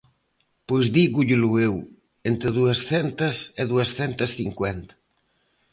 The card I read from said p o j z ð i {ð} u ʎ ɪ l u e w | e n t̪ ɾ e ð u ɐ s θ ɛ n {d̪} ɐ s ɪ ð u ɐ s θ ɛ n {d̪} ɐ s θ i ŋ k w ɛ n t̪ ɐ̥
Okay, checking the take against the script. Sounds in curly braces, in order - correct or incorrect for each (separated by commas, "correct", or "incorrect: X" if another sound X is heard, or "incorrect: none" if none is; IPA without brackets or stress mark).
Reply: incorrect: ɣ, incorrect: t̪, incorrect: t̪